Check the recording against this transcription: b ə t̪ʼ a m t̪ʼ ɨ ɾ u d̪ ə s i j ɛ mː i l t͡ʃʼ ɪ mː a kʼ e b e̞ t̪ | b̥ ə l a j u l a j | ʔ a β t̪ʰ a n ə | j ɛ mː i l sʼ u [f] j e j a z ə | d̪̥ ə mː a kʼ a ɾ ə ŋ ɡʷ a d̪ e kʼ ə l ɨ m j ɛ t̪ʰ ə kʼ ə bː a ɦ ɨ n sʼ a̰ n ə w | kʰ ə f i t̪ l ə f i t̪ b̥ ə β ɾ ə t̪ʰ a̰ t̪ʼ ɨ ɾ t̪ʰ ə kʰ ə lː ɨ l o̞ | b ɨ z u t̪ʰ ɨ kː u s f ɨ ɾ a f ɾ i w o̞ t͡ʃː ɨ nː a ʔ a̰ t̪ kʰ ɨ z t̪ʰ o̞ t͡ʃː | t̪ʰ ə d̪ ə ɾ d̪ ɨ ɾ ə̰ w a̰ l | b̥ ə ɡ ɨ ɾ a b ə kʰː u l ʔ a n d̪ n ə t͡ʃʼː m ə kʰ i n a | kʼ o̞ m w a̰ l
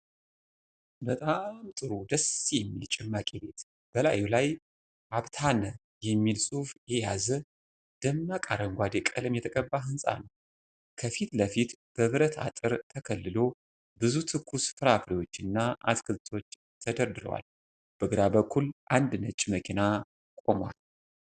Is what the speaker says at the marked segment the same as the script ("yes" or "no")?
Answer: yes